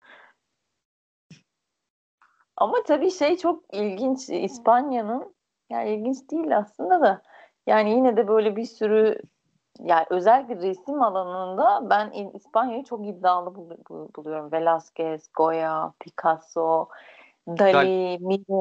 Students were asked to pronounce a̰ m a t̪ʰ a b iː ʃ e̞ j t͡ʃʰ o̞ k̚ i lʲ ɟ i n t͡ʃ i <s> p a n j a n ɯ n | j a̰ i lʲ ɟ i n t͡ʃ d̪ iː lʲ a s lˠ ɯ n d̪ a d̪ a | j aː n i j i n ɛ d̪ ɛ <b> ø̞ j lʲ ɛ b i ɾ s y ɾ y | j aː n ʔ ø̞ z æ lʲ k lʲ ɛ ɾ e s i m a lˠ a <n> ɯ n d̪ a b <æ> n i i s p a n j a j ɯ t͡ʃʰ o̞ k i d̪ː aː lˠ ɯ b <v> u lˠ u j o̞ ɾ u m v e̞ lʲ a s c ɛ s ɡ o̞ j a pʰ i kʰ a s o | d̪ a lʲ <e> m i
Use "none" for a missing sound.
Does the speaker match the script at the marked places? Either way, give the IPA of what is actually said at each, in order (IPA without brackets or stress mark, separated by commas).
s, b, n, æ, b, i